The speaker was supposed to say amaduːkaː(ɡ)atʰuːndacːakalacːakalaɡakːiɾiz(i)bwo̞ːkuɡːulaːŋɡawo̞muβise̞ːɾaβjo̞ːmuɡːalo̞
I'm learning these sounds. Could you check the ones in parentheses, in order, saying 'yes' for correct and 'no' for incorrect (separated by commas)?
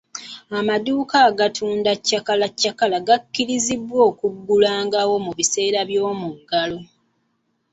yes, yes